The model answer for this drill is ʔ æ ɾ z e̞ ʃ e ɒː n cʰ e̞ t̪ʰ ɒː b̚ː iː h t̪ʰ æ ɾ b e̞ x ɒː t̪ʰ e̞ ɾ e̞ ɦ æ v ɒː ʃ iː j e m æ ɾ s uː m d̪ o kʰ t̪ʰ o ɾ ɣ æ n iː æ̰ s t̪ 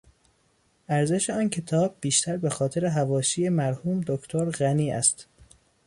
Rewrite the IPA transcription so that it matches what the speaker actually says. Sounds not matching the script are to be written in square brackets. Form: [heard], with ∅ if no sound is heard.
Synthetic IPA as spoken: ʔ æ ɾ z e̞ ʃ e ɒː n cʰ e̞ t̪ʰ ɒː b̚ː iː [ʃ] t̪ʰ æ ɾ b e̞ x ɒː t̪ʰ e̞ ɾ e̞ ɦ æ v ɒː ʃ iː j e m æ ɾ [h] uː m d̪ o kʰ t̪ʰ o ɾ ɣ æ n iː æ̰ s t̪